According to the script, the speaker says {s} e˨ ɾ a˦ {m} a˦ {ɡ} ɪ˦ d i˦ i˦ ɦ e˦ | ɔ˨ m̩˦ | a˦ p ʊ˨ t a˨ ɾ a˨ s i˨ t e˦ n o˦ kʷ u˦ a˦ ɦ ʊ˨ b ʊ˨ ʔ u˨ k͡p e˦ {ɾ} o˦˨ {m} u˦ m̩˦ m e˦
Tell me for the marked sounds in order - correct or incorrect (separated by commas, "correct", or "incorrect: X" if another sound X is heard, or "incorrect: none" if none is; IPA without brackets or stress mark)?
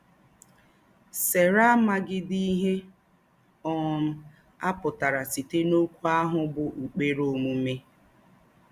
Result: correct, correct, correct, correct, correct